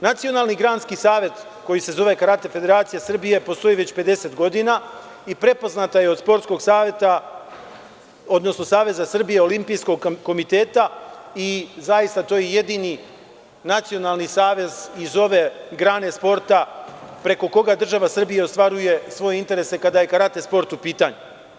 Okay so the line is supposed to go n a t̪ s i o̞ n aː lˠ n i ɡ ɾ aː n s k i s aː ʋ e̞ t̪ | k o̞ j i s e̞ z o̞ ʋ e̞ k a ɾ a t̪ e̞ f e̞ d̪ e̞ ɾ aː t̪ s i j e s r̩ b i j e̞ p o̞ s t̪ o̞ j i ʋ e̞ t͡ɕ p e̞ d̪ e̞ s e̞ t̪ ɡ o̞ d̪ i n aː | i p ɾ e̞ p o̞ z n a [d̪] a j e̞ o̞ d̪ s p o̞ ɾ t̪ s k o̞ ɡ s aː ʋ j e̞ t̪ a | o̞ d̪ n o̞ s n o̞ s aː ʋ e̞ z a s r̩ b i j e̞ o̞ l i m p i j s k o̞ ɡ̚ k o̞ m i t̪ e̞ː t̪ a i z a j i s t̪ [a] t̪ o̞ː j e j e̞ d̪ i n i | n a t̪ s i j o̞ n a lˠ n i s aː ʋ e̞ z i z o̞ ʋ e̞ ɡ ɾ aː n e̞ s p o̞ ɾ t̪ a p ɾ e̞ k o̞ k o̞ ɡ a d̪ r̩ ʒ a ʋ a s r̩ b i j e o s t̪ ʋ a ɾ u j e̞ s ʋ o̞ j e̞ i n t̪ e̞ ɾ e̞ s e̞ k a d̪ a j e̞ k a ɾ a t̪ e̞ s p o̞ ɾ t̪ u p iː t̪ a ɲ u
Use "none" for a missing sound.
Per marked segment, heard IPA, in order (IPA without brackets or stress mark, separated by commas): t̪, a